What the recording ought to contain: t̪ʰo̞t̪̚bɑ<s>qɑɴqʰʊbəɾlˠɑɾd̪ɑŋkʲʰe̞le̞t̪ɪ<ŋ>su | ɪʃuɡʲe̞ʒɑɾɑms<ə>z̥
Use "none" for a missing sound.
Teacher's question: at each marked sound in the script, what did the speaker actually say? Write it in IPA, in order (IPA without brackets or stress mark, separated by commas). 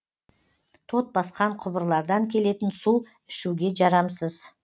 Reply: s, n, ə